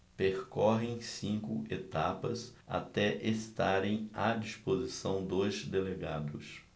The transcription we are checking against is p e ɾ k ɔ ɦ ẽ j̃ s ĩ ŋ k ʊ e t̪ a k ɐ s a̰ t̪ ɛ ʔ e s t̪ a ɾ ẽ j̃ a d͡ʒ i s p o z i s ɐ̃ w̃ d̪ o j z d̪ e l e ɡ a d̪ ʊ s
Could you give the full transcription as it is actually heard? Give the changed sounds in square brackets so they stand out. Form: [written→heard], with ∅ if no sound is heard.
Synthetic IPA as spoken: p e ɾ k ɔ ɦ ẽ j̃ s ĩ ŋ k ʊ e t̪ a [k→p] ɐ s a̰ t̪ ɛ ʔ e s t̪ a ɾ ẽ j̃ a d͡ʒ i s p o z i s ɐ̃ w̃ d̪ o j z d̪ e l e ɡ a d̪ ʊ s